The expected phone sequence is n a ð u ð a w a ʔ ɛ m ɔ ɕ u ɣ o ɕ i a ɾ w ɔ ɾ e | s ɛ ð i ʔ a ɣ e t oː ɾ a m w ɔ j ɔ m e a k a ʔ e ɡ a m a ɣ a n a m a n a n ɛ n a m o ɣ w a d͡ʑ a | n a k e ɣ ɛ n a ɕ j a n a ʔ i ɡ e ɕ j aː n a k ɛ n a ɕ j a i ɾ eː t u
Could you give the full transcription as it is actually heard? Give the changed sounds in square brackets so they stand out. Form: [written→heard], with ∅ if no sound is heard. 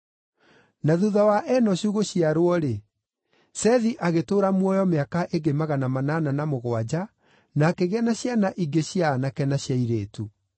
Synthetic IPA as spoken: n a ð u ð a w a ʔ ɛ [m→n] ɔ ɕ u ɣ o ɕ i a ɾ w ɔ ɾ e | s ɛ ð i ʔ a ɣ e t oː ɾ a m w ɔ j ɔ m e a k a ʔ e ɡ [a→e] m a ɣ a n a m a n a n [ɛ→a] n a m o ɣ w a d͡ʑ a | n a k e ɣ ɛ n a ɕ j a n a ʔ i ɡ e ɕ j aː n a k ɛ n a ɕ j a i ɾ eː t u

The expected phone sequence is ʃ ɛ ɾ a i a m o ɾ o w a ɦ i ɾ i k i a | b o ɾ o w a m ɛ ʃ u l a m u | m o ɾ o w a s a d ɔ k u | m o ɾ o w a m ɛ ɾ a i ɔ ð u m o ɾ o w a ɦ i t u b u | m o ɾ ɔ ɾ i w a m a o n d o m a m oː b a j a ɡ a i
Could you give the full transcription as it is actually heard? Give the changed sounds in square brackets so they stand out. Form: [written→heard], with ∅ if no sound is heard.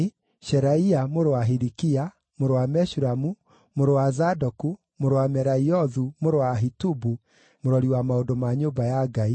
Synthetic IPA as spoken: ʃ ɛ ɾ a i a m o ɾ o w a ɦ i ɾ i k i a | [b→m] o ɾ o w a m ɛ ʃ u [l→ɾ] a m u | m o ɾ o w a [s→z] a d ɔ k u | m o ɾ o w a m ɛ ɾ a i ɔ ð u m o ɾ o w a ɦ i t u b u | m o ɾ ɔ ɾ i w a m a o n d o m a [m→ɲ] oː b a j a ɡ a i

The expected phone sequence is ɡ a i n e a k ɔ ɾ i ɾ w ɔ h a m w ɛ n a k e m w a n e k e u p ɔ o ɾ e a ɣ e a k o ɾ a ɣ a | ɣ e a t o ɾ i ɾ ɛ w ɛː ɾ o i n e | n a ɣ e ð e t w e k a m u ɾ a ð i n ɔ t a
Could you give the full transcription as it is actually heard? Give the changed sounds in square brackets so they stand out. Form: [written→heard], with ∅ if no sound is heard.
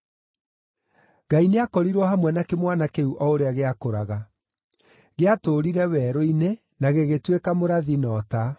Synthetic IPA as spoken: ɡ a i n e a k ɔ ɾ i ɾ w ɔ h a m w ɛ n a k e m w a n [e→a] k e u [p→ʔ] ɔ o ɾ e a ɣ e a k o ɾ a ɣ a | ɣ e a t o ɾ i ɾ ɛ w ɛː ɾ o i n e | n a ɣ e [ð→ɣ] e t w e k a m [u→o] ɾ a ð i n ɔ t a

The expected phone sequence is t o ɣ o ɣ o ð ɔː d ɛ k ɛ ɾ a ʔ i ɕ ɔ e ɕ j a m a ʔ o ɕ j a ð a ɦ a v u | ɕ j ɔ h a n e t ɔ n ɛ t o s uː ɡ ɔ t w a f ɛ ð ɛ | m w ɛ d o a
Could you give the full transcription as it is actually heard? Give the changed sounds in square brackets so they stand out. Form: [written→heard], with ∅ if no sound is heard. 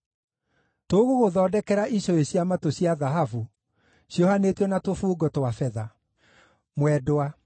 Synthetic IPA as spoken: t o ɣ o ɣ o ð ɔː d ɛ k ɛ ɾ a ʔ i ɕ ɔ e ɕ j a m a [ʔ→t] o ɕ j a ð a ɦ a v u | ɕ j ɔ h a n e t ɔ n [ɛ→a] t o [s→f] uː ɡ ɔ t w a f ɛ ð [ɛ→a] | m w ɛ d o a

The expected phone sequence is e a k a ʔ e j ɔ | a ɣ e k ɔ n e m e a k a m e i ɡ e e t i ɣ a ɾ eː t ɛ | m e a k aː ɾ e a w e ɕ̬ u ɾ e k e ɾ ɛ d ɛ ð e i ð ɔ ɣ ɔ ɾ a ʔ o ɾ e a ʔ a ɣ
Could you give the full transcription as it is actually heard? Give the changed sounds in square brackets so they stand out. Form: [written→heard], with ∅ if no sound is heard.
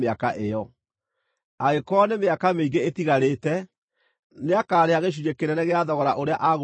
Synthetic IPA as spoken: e a k a ʔ e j ɔ | a ɣ e k ɔ n e m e a k a m e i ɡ e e t i ɣ a ɾ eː t ɛ | [m→n] e a k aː ɾ e a [w→ɣ] e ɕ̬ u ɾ e k e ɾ ɛ [d→n] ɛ [ð→ɣ] e [i→a] ð ɔ ɣ ɔ ɾ a ʔ o ɾ e a ʔ a ɣ

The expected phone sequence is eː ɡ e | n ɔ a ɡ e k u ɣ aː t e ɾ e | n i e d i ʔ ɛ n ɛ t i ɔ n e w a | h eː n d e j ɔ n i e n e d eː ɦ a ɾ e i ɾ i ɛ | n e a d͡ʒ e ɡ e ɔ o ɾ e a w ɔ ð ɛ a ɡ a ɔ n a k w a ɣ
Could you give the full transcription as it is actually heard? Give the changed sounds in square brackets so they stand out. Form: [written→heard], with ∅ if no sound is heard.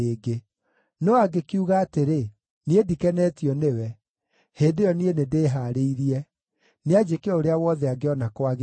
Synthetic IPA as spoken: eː ɡ e | n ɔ a ɡ e k u ɣ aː t e ɾ e | n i e d i [ʔ→k] ɛ n ɛ t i ɔ n e w [a→ɛ] | h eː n d e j ɔ n i e n e d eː ɦ a ɾ e i ɾ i ɛ | n e a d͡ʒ e [ɡ→k] e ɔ o ɾ e a w ɔ ð ɛ a ɡ [a→e] ɔ n a k w a ɣ

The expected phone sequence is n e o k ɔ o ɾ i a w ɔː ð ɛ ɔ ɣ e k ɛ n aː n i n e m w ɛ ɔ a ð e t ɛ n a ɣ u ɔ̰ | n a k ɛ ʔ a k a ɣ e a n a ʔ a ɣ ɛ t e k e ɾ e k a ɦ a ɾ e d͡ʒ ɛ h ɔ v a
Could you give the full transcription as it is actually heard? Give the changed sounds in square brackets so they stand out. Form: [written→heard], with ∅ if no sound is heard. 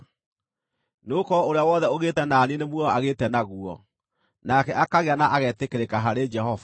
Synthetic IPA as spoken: n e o k ɔ o ɾ [i→e] a w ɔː ð ɛ [ɔ→o] ɣ e [k→t] ɛ n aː n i n e m w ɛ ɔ a [ð→ɣ] e t ɛ n a ɣ u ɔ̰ | n a k ɛ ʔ a k a ɣ e a n a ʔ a ɣ ɛ t e k e ɾ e k a ɦ a ɾ e d͡ʒ ɛ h ɔ v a

